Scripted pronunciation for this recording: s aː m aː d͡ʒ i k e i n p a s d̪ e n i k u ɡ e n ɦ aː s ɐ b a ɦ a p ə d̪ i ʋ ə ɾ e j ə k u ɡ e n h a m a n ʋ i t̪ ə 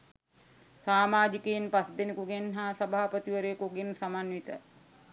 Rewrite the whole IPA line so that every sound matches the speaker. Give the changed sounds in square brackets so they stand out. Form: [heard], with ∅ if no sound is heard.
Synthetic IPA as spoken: s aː m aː d͡ʒ i k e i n p a s d̪ e n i k u ɡ e n ɦ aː s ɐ b a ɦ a p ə [t̪] i ʋ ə ɾ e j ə k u ɡ e n [s] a m a n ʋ i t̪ ə